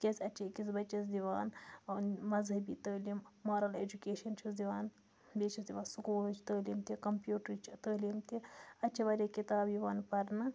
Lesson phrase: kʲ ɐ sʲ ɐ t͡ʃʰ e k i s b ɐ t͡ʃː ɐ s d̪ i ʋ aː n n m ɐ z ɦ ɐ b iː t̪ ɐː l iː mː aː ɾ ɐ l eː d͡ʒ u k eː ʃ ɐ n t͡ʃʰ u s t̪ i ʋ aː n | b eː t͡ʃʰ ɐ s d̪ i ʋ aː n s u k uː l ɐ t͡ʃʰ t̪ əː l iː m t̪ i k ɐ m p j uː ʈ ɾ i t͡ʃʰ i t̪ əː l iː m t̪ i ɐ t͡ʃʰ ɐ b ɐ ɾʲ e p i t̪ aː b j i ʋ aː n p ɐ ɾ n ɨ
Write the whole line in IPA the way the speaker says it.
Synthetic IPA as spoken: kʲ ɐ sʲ ɐ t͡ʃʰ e k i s b ɐ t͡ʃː ɐ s d̪ i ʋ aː n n m ɐ z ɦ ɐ b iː t̪ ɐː l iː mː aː ɾ ɐ l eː d͡ʒ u k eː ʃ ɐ n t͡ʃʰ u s d̪ i ʋ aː n | b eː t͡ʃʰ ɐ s d̪ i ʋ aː n s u k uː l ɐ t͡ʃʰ t̪ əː l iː m t̪ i k ɐ m p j uː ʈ ɾ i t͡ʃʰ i t̪ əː l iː m t̪ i ɐ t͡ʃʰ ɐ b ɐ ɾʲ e k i t̪ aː b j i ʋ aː n p ɐ ɾ n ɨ